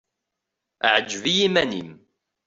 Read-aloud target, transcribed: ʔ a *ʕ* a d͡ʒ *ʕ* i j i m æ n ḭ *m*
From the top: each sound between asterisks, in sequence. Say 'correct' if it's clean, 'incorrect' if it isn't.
correct, incorrect, correct

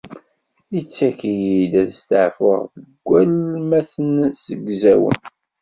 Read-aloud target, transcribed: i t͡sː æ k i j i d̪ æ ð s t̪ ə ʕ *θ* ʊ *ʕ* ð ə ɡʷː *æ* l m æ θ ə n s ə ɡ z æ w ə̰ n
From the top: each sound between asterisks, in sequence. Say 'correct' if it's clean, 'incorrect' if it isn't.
incorrect, incorrect, correct

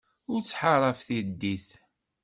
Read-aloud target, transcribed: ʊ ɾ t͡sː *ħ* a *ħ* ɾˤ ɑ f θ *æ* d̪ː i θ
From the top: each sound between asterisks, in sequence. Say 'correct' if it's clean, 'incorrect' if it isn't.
correct, incorrect, incorrect

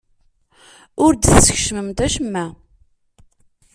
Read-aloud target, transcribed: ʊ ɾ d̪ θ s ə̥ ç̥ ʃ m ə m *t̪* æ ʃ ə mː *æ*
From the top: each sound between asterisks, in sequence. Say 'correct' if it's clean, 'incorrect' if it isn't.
correct, correct

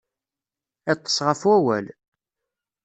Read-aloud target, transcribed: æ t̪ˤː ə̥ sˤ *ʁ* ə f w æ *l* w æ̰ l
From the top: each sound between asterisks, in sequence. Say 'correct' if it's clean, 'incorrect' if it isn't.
correct, incorrect

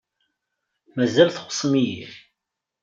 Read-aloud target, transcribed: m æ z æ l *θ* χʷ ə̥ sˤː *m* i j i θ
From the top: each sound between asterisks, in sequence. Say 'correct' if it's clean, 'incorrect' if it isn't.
correct, correct

